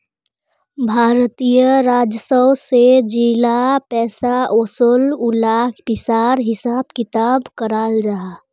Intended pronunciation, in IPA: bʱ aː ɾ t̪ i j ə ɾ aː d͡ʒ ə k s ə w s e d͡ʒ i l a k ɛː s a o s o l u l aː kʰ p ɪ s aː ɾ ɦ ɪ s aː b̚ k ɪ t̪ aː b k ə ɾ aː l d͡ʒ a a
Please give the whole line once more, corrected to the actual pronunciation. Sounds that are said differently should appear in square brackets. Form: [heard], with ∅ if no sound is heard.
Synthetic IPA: bʱ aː ɾ t̪ i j ə ɾ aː d͡ʒ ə [∅] s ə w s e d͡ʒ i l a [p] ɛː s a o s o l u l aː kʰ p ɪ s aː ɾ ɦ ɪ s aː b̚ k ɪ t̪ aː b k ə ɾ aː l d͡ʒ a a